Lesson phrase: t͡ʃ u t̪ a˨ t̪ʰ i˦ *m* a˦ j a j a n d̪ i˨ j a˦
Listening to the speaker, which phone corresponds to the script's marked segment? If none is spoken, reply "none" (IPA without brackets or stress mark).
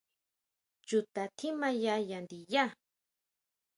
m